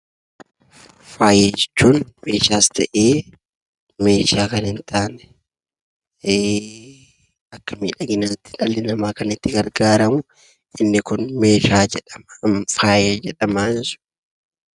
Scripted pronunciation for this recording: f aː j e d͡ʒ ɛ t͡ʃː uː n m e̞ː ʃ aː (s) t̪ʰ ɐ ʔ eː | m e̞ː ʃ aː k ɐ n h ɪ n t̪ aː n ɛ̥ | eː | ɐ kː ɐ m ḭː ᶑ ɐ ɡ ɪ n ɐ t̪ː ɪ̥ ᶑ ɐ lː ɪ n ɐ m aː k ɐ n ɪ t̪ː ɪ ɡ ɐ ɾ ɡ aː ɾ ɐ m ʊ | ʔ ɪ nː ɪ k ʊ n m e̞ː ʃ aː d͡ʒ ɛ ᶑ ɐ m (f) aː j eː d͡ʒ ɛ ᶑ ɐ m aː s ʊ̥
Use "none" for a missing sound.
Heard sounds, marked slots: s, f

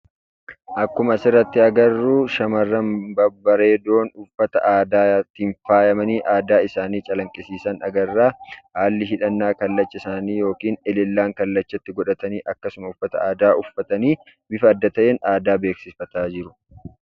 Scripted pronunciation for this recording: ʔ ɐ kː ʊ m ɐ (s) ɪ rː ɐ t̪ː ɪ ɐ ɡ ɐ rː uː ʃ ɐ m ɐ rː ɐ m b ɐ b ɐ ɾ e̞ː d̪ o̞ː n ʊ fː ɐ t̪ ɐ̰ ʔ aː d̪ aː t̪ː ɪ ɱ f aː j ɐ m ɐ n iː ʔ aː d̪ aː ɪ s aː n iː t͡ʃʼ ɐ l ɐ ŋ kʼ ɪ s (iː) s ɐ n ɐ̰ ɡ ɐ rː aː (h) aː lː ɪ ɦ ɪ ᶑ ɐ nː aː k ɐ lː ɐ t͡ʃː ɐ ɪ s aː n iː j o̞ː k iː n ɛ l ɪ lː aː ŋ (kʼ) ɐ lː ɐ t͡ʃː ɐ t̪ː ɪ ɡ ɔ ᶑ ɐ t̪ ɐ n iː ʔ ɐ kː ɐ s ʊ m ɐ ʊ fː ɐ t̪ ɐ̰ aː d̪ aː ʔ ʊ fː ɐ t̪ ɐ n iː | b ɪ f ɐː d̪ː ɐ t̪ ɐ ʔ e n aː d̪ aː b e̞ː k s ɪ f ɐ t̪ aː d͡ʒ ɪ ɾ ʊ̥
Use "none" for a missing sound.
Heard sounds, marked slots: s, iː, h, k

